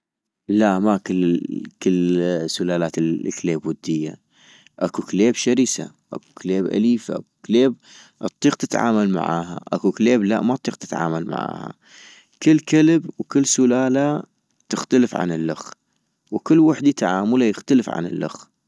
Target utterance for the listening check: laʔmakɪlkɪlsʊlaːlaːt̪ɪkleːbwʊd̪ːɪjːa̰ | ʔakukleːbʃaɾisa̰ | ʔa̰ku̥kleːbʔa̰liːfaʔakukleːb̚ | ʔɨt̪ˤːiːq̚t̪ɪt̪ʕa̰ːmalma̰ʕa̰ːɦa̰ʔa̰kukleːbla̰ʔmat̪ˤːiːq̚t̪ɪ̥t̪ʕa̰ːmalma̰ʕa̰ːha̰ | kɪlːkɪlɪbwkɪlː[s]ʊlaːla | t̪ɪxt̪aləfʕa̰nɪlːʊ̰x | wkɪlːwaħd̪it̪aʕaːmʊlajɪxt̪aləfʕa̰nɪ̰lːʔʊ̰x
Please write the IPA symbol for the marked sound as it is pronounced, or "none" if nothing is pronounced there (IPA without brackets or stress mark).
s